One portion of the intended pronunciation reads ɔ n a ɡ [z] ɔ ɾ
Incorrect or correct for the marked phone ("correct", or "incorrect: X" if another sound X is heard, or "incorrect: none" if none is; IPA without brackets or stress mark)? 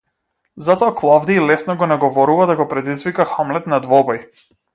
incorrect: v